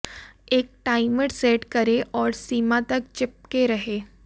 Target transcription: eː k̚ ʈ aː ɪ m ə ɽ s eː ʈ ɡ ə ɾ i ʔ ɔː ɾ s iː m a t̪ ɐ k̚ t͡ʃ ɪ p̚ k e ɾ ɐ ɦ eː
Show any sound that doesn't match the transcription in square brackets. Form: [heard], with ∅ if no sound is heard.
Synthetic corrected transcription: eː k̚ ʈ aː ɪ m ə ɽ s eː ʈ [k] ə ɾ [e] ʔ ɔː ɾ s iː m a t̪ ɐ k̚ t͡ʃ ɪ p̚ k e ɾ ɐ ɦ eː